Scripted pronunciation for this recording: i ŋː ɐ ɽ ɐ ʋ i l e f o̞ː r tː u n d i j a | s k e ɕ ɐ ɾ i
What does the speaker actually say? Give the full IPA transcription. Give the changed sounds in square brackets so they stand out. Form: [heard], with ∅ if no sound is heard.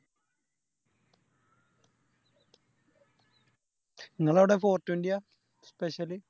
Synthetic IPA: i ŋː ɐ [ɭ] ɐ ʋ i [ɽ] e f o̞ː r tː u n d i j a | s [p] e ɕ ɐ [l] i